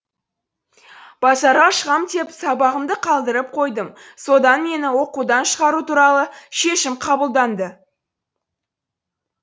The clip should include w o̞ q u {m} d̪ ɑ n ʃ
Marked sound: incorrect: none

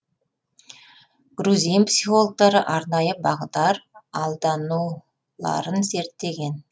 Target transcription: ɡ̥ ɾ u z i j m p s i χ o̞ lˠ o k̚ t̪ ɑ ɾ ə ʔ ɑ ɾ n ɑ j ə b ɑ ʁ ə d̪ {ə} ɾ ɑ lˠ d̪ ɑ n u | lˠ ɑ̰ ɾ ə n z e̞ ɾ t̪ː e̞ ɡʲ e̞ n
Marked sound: incorrect: ɑ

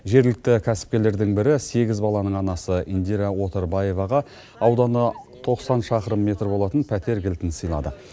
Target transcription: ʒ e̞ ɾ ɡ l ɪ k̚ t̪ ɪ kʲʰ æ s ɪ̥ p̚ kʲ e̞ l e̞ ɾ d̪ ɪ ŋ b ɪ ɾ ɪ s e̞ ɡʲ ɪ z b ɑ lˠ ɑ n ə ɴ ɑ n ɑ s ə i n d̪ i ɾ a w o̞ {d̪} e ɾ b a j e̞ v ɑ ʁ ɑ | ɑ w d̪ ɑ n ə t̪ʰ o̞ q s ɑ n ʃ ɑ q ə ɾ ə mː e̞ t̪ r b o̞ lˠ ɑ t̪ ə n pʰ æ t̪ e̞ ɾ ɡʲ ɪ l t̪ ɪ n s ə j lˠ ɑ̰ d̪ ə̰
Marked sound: incorrect: t̪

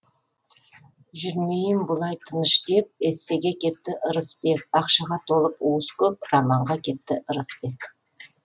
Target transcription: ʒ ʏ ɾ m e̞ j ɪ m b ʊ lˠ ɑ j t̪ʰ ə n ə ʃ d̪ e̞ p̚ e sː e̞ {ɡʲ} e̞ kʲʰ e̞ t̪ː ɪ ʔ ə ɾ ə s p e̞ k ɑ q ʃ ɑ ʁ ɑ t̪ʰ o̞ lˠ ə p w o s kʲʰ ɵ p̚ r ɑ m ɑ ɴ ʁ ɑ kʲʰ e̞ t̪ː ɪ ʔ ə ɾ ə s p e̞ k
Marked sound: correct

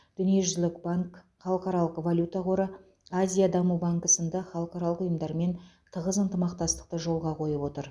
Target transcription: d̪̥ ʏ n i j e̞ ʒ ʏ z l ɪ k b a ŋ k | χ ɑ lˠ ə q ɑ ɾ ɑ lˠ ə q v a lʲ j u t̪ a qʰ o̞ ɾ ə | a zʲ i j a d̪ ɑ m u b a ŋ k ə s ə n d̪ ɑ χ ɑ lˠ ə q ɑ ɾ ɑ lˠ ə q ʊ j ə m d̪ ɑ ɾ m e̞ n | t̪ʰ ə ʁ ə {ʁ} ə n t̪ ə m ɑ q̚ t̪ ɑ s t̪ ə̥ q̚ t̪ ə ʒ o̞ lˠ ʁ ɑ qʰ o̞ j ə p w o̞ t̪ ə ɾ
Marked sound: incorrect: z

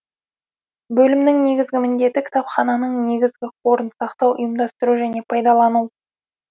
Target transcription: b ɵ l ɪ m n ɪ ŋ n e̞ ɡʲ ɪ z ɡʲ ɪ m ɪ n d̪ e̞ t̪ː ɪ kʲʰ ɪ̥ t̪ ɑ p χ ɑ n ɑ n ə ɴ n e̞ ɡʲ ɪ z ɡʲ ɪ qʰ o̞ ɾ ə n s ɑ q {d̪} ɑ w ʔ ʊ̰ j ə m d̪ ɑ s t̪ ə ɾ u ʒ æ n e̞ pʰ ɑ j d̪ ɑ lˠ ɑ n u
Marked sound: incorrect: t̪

